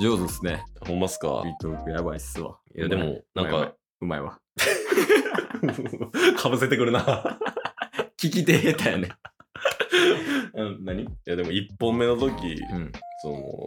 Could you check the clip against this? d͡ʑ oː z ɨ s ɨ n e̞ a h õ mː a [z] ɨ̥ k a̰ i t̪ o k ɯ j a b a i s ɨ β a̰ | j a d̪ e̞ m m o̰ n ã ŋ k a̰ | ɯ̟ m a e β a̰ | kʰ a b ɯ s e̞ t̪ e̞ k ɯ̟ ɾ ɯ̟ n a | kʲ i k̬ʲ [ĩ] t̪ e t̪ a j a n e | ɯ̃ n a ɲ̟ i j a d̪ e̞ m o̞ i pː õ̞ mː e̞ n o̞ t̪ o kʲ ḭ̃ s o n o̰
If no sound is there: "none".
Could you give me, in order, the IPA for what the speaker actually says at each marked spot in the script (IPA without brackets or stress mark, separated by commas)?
s, i